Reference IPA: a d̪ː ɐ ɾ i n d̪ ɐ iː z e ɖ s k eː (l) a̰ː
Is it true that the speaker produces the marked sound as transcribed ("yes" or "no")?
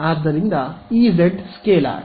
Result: yes